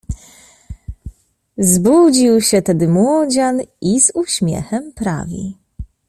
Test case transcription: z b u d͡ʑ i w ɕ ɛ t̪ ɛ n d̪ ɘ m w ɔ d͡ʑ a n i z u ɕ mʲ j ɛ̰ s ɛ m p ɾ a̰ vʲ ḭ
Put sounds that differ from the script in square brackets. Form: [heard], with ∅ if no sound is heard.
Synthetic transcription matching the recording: z b u d͡ʑ i w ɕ ɛ t̪ ɛ [∅] d̪ ɘ m w ɔ d͡ʑ a n i z u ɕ mʲ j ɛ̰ [x] ɛ m p ɾ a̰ vʲ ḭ